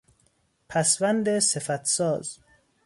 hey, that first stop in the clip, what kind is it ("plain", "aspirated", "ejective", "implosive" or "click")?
aspirated